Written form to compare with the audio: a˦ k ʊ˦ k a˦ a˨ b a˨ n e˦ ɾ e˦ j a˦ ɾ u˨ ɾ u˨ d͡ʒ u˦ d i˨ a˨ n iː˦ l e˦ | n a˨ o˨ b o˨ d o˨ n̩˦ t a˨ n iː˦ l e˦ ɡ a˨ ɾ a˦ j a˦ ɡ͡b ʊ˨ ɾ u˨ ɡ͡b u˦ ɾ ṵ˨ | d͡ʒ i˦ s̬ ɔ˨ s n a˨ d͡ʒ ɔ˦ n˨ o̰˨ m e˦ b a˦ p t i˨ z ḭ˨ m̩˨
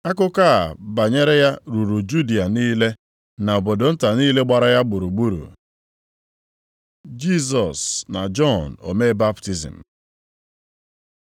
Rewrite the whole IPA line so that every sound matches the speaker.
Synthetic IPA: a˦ k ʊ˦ k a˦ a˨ b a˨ ɲ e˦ ɾ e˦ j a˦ ɾ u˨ ɾ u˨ d͡ʒ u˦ d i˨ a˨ n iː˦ l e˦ | n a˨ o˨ b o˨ d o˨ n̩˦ t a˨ n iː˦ l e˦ ɡ͡b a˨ ɾ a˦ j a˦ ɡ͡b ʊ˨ ɾ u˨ ɡ͡b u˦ ɾ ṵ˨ | d͡ʒ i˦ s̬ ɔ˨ s n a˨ d͡ʒ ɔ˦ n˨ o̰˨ m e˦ b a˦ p t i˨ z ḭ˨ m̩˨